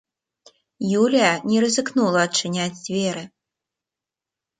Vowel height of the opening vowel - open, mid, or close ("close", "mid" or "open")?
close